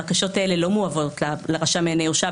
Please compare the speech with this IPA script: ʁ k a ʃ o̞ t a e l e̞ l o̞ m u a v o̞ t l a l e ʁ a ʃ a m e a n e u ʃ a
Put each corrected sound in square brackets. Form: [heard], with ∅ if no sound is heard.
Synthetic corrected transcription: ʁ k a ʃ o̞ t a e l e̞ l o̞ m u a v o̞ t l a l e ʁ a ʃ a m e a n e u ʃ a